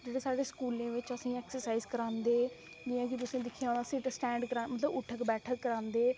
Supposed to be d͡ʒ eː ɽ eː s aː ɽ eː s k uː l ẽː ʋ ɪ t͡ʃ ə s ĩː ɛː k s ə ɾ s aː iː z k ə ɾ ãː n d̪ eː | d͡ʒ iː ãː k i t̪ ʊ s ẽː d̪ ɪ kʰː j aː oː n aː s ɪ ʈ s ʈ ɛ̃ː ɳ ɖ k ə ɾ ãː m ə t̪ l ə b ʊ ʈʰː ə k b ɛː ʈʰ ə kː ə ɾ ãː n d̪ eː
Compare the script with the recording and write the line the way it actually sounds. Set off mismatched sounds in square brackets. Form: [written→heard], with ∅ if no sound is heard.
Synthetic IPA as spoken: d͡ʒ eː ɽ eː s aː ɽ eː s k uː l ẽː ʋ ɪ t͡ʃ ə s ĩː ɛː k s ə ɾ s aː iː z k ə ɾ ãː n d̪ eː | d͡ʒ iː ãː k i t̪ ʊ s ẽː d̪ ɪ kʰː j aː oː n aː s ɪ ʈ s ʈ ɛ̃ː ɳ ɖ k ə ɾ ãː m ə t̪ l ə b ʊ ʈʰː ə k b ɛː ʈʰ ə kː ə ɾ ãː n d̪ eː